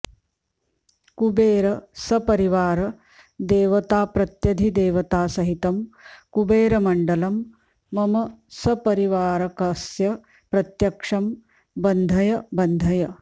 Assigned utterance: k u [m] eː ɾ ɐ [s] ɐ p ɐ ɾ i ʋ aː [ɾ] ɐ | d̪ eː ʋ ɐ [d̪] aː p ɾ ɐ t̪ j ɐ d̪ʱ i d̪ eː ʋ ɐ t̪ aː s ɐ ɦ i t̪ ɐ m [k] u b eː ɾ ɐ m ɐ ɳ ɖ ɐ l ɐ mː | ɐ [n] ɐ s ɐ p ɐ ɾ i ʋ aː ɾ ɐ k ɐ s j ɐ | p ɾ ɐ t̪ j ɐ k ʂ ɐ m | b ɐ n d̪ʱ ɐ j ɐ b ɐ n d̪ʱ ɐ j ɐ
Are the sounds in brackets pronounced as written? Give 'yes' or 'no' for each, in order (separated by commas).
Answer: no, yes, yes, no, yes, no